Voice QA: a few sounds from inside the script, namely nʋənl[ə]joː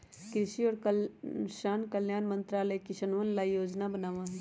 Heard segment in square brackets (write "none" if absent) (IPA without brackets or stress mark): a